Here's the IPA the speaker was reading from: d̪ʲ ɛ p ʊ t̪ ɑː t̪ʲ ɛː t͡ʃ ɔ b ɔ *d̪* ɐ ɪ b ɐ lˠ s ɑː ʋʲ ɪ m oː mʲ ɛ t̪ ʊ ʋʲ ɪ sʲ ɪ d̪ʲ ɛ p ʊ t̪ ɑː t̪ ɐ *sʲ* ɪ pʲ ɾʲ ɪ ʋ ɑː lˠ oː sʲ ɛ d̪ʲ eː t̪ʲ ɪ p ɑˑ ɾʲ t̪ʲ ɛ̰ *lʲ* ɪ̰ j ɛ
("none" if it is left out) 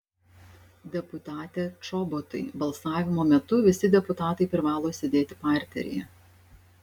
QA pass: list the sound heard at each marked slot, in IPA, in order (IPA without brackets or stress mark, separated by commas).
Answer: t̪, none, ɾʲ